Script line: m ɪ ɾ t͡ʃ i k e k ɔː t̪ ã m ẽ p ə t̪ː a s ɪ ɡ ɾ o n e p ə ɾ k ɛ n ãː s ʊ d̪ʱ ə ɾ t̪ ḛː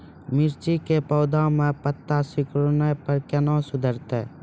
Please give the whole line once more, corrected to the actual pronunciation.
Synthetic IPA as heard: m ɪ ɾ t͡ʃ i k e p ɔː d̪ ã m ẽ p ə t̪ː a s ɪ k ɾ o n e p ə ɾ k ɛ n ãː s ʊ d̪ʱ ə ɾ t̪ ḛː